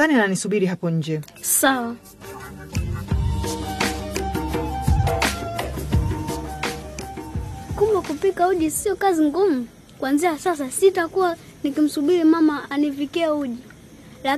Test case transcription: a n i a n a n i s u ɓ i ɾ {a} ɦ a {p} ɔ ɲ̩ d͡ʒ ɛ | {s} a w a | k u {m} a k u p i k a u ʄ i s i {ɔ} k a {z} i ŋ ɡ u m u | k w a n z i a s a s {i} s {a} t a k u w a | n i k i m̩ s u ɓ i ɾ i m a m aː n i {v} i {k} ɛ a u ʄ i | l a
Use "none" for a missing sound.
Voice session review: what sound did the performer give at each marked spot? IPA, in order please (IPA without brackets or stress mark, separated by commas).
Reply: i, p, s, m, ɔ, z, a, i, v, k